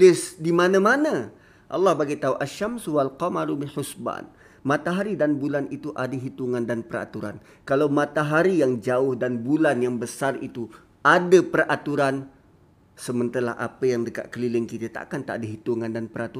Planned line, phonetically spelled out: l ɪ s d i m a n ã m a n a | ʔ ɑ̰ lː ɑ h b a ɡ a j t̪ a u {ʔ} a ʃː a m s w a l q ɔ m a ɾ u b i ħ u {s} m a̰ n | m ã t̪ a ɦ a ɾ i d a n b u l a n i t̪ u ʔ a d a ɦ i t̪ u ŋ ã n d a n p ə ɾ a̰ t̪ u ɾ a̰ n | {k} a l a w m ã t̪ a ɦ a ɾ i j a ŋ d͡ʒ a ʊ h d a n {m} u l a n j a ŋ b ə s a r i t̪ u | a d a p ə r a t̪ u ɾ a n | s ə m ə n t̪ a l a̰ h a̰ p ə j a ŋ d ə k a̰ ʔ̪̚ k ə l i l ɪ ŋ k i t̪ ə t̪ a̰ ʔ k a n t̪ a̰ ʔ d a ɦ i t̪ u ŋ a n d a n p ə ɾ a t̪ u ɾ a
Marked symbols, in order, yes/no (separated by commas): yes, yes, yes, no